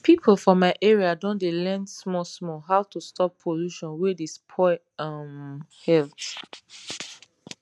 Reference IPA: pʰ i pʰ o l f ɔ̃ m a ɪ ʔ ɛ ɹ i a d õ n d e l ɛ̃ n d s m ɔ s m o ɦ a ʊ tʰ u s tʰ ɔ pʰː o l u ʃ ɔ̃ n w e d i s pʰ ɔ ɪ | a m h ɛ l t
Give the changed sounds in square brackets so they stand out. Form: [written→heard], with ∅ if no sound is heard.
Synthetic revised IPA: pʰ i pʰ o l f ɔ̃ m a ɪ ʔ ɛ ɹ i a d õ n d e l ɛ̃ n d s m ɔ s m [o→ɔ] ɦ a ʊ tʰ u s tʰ ɔ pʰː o l u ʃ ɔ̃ n w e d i s pʰ ɔ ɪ | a m h ɛ l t